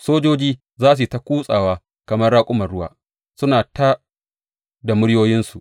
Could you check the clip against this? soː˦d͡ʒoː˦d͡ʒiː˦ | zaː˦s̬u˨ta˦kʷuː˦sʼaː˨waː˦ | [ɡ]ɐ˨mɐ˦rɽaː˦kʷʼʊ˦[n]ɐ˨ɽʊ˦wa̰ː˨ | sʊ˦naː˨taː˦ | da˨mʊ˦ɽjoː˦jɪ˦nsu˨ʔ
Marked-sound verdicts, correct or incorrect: incorrect: k, incorrect: m

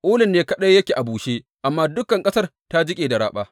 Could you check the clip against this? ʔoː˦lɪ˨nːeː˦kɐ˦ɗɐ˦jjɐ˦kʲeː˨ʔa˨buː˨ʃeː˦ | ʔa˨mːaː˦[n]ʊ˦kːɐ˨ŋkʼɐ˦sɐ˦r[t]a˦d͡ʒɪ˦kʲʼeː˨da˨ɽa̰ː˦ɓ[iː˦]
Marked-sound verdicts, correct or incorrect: incorrect: d, correct, incorrect: aː˦

